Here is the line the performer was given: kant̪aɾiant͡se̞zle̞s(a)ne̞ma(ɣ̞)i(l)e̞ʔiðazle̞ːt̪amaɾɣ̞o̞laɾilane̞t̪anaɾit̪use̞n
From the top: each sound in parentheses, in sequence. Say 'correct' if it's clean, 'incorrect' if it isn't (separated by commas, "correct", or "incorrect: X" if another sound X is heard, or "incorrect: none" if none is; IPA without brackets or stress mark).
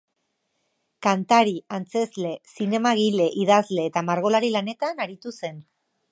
incorrect: i, correct, correct